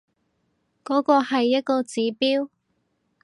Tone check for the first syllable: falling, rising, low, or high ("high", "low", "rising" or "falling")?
rising